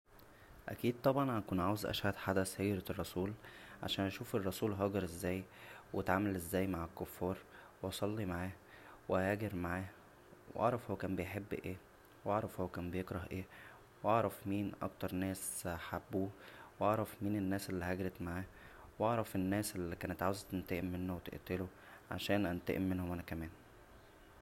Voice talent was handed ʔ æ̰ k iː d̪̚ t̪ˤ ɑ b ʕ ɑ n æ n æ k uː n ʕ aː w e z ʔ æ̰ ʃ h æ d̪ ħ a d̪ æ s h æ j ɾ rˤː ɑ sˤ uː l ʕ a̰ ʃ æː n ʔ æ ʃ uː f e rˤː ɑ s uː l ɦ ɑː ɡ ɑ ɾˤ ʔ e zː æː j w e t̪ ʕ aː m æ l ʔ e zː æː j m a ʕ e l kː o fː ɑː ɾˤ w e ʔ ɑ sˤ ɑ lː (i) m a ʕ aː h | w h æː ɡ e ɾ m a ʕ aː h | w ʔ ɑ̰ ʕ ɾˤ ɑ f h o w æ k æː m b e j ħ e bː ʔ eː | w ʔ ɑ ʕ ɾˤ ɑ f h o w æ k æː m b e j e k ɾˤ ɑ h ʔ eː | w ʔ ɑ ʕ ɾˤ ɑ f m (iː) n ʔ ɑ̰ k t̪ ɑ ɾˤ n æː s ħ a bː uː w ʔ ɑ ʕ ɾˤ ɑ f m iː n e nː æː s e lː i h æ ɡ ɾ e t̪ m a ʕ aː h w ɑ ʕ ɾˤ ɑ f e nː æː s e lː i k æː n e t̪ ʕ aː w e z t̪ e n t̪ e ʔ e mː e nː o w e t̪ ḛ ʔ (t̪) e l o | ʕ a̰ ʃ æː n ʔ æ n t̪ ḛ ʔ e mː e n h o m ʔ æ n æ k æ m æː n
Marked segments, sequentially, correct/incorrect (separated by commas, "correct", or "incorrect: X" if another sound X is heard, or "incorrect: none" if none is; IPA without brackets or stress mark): correct, correct, correct